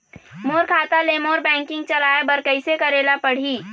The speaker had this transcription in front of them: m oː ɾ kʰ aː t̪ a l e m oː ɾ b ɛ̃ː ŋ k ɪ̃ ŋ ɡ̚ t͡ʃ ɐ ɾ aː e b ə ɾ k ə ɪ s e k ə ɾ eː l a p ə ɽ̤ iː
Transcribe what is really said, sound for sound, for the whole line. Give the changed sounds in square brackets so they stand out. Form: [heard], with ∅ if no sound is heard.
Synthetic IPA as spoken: m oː ɾ kʰ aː t̪ a l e m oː ɾ b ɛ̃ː ŋ k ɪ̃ ŋ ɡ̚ t͡ʃ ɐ [l] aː e b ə ɾ k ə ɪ s e k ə ɾ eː l a p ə ɽ̤ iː